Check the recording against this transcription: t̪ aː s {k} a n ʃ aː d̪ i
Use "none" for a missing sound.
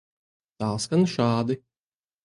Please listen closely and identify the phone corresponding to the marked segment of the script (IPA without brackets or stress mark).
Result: k